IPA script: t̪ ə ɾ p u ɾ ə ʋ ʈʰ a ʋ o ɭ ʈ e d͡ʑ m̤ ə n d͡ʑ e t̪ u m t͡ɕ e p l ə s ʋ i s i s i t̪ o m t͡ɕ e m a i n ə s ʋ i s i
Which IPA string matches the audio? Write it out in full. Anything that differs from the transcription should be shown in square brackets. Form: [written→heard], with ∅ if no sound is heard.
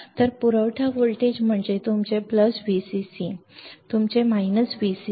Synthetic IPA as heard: t̪ ə ɾ p u ɾ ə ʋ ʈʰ a ʋ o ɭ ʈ e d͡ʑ m̤ ə [n→ɳ] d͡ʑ e t̪ u m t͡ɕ e p l ə s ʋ i s i s i t̪ [o→u] m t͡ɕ e m a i n ə s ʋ i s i

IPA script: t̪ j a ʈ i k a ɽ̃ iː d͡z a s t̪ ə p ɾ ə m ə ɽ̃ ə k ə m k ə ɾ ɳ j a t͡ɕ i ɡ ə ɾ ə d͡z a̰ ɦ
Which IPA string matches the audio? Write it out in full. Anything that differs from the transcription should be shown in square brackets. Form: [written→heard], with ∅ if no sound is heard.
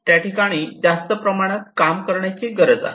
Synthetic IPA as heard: t̪ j a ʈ i k a ɽ̃ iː d͡z a s t̪ ə p ɾ ə m [ə→a] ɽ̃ ə k [ə→a] m k ə ɾ ɳ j a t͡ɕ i ɡ ə ɾ ə d͡z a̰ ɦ

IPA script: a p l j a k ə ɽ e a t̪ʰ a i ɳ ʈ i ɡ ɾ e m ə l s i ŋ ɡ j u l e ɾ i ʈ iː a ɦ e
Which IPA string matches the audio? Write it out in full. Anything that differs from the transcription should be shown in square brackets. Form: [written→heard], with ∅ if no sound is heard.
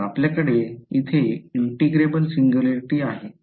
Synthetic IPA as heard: a p l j a k ə ɽ e [a→i] t̪ʰ [a→e] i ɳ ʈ i ɡ ɾ e [m→b] ə l s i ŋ ɡ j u l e ɾ i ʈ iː a ɦ e

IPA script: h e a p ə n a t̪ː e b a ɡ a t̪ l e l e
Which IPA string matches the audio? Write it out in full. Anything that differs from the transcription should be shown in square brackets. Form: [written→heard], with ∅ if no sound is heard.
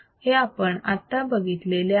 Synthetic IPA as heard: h e a p ə [n→ɳ] a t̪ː [e→a] b [a→ə] ɡ [a→i] t̪ l e l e

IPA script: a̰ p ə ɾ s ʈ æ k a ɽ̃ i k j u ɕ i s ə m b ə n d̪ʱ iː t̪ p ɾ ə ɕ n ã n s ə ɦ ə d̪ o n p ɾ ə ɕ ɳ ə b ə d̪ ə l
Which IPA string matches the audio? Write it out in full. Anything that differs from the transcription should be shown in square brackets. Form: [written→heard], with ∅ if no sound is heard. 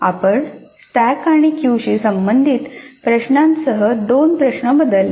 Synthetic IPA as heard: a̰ p ə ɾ s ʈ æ k a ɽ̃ i k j u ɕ i s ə m b ə n d̪ʱ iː t̪ p ɾ ə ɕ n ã n s ə ɦ ə d̪ o n p ɾ ə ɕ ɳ ə b ə d̪ ə l

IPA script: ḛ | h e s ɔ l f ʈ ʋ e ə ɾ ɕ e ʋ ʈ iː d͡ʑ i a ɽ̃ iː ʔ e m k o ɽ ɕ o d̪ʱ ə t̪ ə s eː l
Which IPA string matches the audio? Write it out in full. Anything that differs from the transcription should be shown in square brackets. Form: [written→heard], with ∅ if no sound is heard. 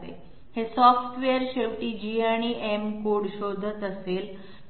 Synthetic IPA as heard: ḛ | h e s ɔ [l→∅] f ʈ ʋ e ə ɾ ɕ e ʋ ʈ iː d͡ʑ i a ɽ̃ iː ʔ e m k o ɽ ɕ o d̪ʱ ə t̪ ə s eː l

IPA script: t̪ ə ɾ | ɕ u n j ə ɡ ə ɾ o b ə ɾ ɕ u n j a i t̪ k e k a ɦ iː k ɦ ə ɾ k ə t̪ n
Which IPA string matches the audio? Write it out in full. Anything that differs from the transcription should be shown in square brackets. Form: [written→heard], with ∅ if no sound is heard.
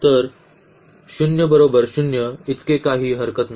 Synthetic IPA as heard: t̪ ə ɾ | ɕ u n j ə [ɡ→b] ə ɾ o b ə ɾ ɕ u n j [a→ə] i t̪ k e k a ɦ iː [k→∅] ɦ ə ɾ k ə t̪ n

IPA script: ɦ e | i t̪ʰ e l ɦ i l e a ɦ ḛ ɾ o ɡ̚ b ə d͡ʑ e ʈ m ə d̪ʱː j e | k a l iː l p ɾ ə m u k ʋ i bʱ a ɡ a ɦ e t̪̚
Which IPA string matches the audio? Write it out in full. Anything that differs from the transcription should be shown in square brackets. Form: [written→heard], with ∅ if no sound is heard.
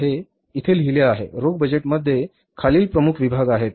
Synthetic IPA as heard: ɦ e | i t̪ʰ e l ɦ i l e a ɦ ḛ ɾ o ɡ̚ b ə d͡ʑ e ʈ m ə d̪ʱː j e | [k→kʰ] a l iː l p ɾ ə m u [k→kʰ] ʋ i bʱ a ɡ a ɦ e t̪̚

